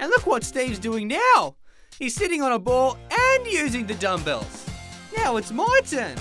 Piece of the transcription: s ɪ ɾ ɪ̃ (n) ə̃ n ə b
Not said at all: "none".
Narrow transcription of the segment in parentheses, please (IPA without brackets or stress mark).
ŋ